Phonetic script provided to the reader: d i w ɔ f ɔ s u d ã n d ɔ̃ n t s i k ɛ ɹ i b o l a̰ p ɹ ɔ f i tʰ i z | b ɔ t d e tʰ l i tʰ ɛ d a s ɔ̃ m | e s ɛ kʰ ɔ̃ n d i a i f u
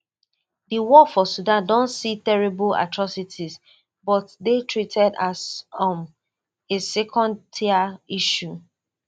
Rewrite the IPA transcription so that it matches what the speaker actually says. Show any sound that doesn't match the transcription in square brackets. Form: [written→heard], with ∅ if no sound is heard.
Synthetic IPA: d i w ɔ f ɔ s u d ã n d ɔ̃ n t s i [k→t] ɛ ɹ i b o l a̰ [p→t] ɹ ɔ [f→s] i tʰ i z | b ɔ t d e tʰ [l→ɹ] i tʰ ɛ d a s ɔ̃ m | e s ɛ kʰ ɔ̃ n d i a i [f→ʃ] u